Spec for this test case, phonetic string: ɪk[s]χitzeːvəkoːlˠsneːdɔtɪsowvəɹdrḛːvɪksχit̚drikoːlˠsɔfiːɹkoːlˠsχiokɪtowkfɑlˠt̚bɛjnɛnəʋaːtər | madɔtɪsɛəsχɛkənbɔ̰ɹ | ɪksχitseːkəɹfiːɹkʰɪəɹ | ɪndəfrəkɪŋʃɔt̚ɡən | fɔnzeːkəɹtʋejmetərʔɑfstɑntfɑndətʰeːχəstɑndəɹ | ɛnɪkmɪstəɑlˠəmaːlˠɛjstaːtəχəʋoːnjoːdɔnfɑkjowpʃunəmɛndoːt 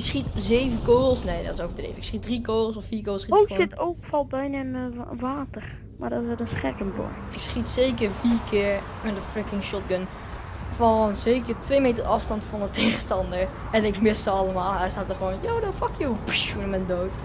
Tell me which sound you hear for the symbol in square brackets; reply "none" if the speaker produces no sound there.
s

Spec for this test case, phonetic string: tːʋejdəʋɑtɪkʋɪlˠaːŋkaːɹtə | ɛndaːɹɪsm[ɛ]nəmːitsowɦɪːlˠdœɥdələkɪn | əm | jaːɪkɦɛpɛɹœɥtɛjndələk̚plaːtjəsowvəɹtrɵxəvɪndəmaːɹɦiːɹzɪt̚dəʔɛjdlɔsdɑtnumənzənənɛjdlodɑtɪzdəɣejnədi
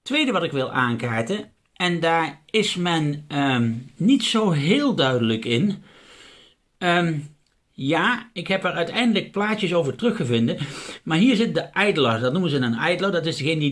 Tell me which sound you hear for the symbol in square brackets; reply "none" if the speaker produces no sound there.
ɛ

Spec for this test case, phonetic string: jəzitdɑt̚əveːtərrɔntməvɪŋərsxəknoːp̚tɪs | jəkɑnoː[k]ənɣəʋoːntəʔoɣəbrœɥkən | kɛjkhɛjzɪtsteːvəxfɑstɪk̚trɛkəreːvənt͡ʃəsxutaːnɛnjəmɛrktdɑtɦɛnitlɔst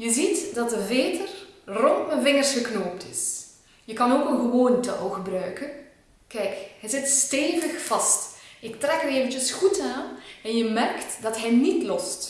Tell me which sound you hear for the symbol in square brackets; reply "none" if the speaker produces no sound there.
k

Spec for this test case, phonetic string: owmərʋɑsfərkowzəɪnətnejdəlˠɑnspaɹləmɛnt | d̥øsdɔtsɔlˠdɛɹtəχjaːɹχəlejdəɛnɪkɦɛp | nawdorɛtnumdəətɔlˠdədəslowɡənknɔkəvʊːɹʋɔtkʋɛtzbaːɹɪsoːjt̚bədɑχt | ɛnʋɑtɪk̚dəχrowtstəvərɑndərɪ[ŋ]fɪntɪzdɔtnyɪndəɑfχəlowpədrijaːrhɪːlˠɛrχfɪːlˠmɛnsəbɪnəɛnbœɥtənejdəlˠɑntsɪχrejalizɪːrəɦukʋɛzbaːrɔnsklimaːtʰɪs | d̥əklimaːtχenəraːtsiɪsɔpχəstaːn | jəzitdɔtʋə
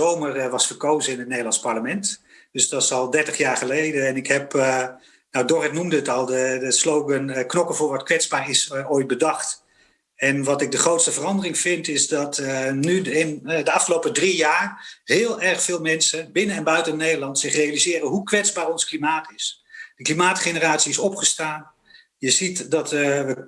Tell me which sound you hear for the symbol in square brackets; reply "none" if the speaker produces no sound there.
ŋ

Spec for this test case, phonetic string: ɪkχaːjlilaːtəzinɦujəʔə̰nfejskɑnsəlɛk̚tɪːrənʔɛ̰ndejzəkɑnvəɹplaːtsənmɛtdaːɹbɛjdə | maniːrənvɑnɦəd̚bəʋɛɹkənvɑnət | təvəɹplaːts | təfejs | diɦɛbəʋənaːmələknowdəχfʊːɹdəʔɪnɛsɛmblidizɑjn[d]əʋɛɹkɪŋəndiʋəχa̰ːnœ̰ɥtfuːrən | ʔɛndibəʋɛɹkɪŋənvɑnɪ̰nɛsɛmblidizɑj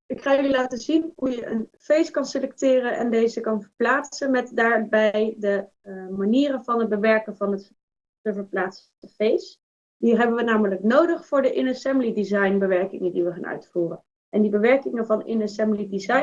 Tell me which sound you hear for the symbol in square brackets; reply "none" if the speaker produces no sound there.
b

